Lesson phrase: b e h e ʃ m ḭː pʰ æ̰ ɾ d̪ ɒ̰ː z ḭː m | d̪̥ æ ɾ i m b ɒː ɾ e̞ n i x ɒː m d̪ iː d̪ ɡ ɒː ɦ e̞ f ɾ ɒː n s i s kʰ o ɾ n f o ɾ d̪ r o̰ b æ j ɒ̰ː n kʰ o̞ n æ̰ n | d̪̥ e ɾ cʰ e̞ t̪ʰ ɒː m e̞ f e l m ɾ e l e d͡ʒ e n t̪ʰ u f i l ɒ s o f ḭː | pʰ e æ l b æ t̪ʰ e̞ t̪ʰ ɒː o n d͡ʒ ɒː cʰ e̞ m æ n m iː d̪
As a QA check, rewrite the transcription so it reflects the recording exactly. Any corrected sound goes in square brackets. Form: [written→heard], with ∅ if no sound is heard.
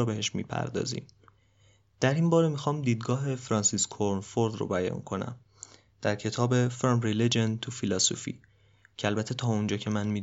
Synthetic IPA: b e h e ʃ m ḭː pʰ æ̰ ɾ d̪ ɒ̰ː z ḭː m | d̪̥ æ ɾ i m b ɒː ɾ e̞ [n→m] i x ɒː m d̪ iː d̪ ɡ ɒː ɦ e̞ f ɾ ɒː n s i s kʰ o ɾ n f o ɾ d̪ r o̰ b æ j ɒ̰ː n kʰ o̞ n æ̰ [n→m] | d̪̥ [e→æ] ɾ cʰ e̞ t̪ʰ ɒː [m→b] e̞ f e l m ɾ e l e d͡ʒ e n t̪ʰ u f i l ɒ s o f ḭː | [pʰ→cʰ] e æ l b æ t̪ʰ e̞ t̪ʰ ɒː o n d͡ʒ ɒː cʰ e̞ m æ n m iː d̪